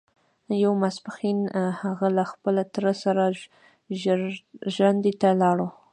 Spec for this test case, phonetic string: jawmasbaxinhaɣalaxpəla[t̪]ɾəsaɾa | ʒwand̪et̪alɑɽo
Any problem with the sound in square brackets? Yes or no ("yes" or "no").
no